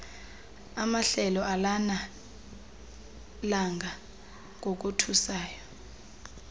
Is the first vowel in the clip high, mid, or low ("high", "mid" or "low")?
low